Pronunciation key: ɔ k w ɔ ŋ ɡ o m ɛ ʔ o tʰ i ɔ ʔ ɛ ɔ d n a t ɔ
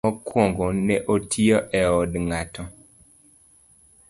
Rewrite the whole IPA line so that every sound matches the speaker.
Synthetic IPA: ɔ k w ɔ ŋ ɡ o n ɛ ʔ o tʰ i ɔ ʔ ɛ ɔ d ŋ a t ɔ